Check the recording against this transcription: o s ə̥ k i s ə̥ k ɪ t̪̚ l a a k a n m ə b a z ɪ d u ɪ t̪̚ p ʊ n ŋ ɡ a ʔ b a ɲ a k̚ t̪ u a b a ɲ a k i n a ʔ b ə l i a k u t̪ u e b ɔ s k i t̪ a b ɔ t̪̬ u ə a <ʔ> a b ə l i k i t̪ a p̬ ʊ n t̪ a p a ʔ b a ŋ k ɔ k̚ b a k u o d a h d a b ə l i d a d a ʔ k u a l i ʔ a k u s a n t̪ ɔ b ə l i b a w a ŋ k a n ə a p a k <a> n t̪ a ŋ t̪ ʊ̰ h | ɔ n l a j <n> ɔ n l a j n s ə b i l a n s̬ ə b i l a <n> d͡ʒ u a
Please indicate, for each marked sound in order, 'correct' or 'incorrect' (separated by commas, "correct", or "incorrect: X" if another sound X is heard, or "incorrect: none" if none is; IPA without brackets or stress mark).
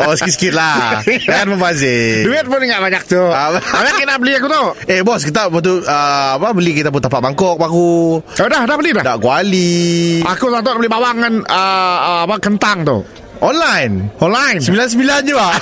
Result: incorrect: p, incorrect: ə, correct, correct